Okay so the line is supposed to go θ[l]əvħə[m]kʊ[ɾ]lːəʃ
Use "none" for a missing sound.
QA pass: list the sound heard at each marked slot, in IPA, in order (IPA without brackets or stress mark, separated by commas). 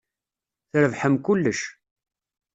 ɾ, m, none